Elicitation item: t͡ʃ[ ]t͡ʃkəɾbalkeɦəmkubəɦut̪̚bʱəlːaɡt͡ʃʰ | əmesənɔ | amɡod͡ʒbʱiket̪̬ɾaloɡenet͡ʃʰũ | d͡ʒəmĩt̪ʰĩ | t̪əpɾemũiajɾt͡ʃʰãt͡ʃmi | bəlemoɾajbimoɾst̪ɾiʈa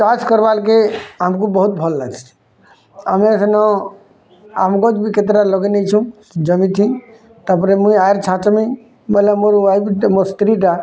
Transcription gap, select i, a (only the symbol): a